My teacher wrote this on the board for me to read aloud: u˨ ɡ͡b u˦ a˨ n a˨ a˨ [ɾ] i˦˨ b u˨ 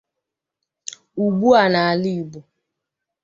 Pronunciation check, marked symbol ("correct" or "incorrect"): incorrect